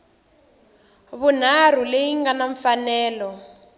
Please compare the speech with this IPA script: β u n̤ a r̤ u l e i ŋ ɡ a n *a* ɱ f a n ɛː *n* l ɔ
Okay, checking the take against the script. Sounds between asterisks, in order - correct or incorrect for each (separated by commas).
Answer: correct, incorrect